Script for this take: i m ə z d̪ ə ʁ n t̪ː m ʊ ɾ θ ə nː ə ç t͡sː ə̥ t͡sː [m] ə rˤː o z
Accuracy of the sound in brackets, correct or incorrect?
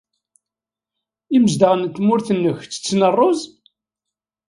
incorrect